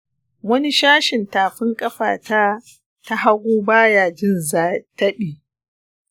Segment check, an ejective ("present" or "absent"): present